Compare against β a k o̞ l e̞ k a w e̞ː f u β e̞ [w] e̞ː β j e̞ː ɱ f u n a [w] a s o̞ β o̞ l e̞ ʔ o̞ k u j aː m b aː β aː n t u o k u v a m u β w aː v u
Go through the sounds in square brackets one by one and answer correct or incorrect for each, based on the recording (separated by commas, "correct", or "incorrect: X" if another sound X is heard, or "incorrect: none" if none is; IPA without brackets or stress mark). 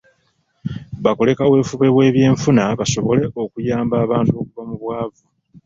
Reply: correct, incorrect: β